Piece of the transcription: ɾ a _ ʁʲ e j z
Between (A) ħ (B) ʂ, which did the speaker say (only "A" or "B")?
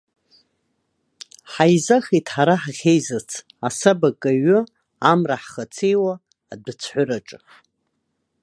A